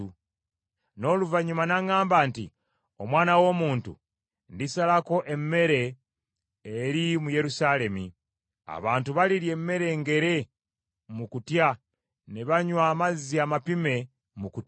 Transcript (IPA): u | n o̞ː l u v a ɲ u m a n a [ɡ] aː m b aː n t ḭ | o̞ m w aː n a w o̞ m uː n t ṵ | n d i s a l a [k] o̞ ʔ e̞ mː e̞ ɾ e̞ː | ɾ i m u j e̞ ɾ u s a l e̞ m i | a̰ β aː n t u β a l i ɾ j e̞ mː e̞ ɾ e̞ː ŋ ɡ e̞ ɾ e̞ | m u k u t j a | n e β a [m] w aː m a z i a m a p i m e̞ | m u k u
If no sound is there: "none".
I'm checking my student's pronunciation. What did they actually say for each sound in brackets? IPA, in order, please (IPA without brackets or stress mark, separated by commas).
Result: ŋ, k, ɲ